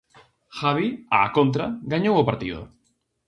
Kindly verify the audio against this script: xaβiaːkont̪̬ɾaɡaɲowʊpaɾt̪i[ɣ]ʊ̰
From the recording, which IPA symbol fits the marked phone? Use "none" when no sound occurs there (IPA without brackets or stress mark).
ð